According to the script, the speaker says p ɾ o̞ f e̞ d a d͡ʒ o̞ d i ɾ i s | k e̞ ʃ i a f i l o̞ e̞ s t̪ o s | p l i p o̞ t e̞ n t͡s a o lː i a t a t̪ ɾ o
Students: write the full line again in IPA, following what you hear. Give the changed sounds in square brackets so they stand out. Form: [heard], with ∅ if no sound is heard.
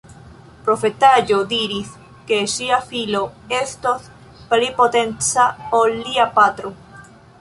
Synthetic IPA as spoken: p ɾ o̞ f e̞ [t] a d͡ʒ o̞ d i ɾ i s | k e̞ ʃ i a f i l o̞ e̞ s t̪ o s | p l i p o̞ t e̞ n t͡s a o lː i a [p] a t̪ ɾ o